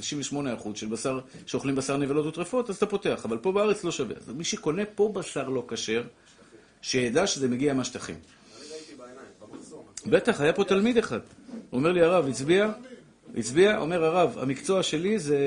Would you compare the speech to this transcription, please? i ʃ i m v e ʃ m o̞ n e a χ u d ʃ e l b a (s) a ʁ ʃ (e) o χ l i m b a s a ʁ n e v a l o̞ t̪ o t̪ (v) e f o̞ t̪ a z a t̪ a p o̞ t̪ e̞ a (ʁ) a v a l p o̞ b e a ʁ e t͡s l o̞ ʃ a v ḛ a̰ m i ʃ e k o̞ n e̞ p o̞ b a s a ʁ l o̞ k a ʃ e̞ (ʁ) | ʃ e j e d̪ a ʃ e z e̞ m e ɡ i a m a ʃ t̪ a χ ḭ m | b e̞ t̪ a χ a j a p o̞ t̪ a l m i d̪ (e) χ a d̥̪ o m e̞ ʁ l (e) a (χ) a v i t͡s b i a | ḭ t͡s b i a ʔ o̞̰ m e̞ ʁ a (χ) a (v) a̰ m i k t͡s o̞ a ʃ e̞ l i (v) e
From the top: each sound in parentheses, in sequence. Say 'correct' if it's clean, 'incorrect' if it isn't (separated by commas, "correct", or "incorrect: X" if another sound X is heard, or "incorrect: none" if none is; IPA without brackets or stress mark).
correct, correct, incorrect: ʁ, incorrect: χ, correct, correct, incorrect: i, incorrect: ʁ, incorrect: ʁ, correct, incorrect: z